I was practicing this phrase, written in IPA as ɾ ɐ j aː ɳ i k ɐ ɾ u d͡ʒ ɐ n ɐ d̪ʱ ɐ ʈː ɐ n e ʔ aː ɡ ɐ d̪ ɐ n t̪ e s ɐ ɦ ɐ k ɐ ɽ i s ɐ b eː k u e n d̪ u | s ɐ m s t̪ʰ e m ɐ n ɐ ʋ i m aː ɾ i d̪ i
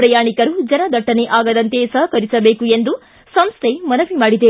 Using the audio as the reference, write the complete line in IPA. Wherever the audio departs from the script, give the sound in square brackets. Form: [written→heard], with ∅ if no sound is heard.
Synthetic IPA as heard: ɾ ɐ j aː ɳ i k ɐ ɾ u d͡ʒ ɐ n ɐ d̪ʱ ɐ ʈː ɐ n e ʔ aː ɡ ɐ d̪ ɐ n t̪ e s ɐ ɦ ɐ k ɐ [ɽ→ɾ] i s ɐ b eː k u e n d̪ u | s ɐ m s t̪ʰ e m ɐ n ɐ ʋ i m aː [ɾ→ɽ] i d̪ [i→e]

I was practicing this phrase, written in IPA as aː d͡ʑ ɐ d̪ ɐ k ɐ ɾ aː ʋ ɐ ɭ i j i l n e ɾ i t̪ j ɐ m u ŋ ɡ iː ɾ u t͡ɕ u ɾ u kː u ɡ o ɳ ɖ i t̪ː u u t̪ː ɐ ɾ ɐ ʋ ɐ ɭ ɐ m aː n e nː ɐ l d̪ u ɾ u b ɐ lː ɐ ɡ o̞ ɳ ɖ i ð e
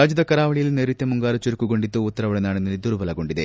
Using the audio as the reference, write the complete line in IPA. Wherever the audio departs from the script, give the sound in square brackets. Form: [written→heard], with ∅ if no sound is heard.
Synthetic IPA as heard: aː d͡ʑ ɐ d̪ ɐ k ɐ ɾ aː ʋ ɐ ɭ i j i l n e ɾ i t̪ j ɐ m u ŋ ɡ [iː→aː] ɾ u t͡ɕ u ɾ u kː u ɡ o ɳ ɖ i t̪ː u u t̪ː ɐ ɾ ɐ ʋ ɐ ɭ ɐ [m→n] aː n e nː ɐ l d̪ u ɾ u b ɐ [lː→l] ɐ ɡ o̞ ɳ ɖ i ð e

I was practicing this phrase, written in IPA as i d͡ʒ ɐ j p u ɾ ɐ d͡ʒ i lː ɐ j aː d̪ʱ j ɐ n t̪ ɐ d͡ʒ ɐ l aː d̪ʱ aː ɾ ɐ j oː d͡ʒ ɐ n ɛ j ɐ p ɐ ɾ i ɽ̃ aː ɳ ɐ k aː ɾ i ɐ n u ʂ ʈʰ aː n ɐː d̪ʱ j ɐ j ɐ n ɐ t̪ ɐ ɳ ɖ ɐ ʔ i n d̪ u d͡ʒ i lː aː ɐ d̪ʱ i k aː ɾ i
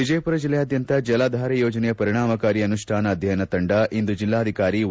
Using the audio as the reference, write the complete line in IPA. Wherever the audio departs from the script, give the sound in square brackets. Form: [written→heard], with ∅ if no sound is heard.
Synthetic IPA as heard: i d͡ʒ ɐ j p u ɾ ɐ d͡ʒ i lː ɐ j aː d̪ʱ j ɐ n t̪ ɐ d͡ʒ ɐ l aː d̪ʱ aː ɾ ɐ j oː d͡ʒ ɐ n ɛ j ɐ p ɐ ɾ i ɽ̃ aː [ɳ→m] ɐ k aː ɾ i ɐ n u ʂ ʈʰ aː n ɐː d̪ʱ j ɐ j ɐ n ɐ t̪ ɐ ɳ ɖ ɐ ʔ i n d̪ u d͡ʒ i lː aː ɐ d̪ʱ i k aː ɾ i

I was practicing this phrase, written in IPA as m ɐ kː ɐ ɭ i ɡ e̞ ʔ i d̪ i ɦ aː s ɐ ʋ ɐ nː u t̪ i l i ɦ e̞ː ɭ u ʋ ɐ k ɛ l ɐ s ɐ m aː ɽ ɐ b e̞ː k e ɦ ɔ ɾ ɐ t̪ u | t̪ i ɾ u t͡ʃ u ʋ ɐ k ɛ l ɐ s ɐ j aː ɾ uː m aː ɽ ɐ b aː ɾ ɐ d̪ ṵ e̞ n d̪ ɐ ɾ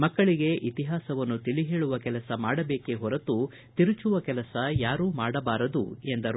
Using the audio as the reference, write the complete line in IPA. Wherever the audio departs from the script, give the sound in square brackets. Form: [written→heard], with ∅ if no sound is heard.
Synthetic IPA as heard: m ɐ kː ɐ ɭ i ɡ e̞ ʔ i [d̪→t̪] i ɦ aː s ɐ ʋ ɐ nː u t̪ i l i ɦ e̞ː ɭ u ʋ ɐ k ɛ l ɐ s ɐ m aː ɽ ɐ b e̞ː k e ɦ ɔ ɾ ɐ t̪ u | t̪ i ɾ u t͡ʃ u ʋ ɐ k ɛ l ɐ s ɐ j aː ɾ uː m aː ɽ ɐ b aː ɾ ɐ d̪ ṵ e̞ n d̪ ɐ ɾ

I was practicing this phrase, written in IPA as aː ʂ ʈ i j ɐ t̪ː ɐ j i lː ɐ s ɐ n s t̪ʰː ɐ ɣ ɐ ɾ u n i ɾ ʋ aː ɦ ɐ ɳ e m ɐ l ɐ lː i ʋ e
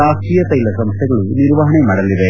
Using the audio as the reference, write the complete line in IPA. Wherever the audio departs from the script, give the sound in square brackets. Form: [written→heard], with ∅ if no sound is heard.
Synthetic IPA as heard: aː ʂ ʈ i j ɐ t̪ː ɐ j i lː ɐ s ɐ [n→m] s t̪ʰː ɐ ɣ ɐ [ɾ→ɭ] u n i ɾ ʋ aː ɦ ɐ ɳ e m ɐ [l→ɽ] ɐ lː i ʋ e

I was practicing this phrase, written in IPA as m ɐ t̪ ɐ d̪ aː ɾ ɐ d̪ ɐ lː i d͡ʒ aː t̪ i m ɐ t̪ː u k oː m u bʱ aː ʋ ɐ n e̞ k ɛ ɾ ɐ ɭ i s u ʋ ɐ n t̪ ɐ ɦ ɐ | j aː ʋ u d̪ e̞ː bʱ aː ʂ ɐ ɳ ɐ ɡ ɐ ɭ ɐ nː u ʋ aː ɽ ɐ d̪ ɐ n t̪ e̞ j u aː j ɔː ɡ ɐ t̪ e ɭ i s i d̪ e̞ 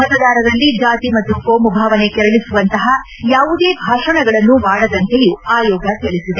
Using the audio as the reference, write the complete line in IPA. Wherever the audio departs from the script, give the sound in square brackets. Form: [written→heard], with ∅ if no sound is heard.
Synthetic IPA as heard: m ɐ t̪ ɐ d̪ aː ɾ ɐ d̪ ɐ lː i d͡ʒ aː t̪ i m ɐ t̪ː u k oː m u bʱ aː ʋ ɐ n e̞ k ɛ ɾ ɐ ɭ i s u ʋ ɐ n t̪ ɐ ɦ ɐ | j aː ʋ u d̪ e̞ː bʱ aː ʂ ɐ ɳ ɐ ɡ ɐ ɭ ɐ nː u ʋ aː ɽ ɐ d̪ ɐ n t̪ e̞ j u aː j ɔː ɡ ɐ t̪ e ɭ i s i d̪ e̞

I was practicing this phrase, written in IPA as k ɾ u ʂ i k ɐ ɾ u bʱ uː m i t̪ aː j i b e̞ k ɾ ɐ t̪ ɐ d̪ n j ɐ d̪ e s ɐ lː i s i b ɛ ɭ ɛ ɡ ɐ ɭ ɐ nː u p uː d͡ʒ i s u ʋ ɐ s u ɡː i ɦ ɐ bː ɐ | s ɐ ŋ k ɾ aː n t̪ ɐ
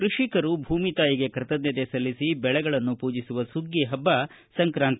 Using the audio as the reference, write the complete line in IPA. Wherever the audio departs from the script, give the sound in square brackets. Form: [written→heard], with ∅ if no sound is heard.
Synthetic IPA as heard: k ɾ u ʂ i k ɐ ɾ u bʱ uː m i t̪ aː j i [b→ɡ] e̞ k ɾ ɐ t̪ ɐ d̪ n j ɐ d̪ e s ɐ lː i s i b ɛ ɭ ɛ ɡ ɐ ɭ ɐ nː u p uː d͡ʒ i s u ʋ ɐ s u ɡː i ɦ ɐ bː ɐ | s ɐ ŋ k ɾ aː n t̪ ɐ

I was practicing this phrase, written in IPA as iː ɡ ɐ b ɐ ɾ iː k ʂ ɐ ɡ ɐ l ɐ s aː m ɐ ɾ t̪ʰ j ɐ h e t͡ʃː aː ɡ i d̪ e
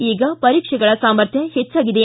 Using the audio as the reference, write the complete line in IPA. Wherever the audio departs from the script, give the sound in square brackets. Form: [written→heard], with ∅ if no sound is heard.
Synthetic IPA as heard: iː ɡ ɐ [b→p] ɐ ɾ iː k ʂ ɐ ɡ ɐ [l→ɭ] ɐ s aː m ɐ ɾ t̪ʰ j ɐ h e t͡ʃː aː ɡ i d̪ e

